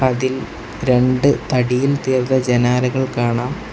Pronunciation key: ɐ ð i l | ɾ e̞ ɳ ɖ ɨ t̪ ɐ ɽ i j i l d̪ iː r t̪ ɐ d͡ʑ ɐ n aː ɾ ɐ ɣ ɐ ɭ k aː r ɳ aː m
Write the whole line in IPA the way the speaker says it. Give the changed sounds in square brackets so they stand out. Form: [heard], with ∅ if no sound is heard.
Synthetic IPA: ɐ ð i l | ɾ e̞ ɳ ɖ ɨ t̪ ɐ ɽ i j i l [t̪] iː r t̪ ɐ d͡ʑ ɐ n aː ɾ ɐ ɣ ɐ ɭ k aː [∅] ɳ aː m